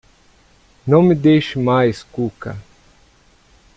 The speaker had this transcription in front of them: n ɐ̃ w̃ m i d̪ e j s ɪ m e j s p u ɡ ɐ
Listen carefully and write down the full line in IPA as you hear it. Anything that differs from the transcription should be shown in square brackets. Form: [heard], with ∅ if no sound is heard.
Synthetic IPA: n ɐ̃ w̃ m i d̪ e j [ʃ] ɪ m [a] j s [k] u [k] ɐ